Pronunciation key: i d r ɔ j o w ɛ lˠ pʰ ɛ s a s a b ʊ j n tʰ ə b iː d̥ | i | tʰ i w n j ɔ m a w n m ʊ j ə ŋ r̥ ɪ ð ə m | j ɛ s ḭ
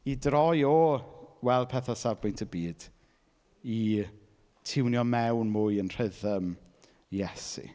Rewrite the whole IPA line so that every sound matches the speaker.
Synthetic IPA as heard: i d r ɔ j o w ɛ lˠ pʰ ɛ θ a s a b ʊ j n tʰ ə b iː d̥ | i | tʰ ɪ w n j ɔ m ɛ w n m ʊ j ə n r̥ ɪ ð ə m | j ɛ s ḭ